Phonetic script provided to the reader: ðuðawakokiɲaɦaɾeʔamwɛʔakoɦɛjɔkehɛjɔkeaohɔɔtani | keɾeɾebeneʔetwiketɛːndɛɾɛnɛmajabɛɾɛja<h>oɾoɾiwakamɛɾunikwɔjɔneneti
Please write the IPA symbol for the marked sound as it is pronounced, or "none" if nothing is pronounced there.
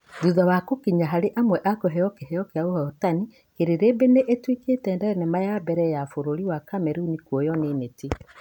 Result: f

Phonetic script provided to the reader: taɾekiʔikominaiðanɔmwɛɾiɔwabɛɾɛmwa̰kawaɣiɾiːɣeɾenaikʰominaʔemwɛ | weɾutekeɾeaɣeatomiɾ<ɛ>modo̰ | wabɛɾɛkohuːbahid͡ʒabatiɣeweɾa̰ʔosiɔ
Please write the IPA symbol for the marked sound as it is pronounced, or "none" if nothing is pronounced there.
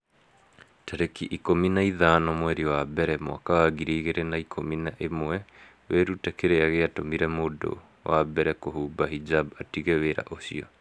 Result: ɛ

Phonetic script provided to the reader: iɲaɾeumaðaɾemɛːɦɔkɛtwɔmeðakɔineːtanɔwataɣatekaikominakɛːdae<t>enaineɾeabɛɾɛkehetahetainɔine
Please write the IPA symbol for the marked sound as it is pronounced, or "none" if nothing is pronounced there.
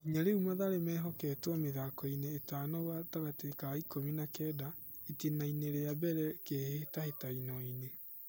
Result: t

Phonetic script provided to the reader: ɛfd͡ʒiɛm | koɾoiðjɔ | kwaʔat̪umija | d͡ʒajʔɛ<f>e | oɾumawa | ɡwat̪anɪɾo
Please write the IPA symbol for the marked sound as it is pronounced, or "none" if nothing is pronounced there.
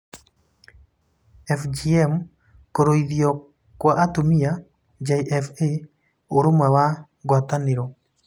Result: f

